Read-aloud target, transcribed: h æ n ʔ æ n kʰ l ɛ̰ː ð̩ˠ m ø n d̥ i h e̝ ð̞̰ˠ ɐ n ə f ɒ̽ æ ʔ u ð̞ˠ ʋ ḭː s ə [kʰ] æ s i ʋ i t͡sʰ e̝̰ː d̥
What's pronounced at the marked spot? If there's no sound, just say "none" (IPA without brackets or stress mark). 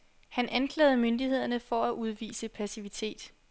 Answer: pʰ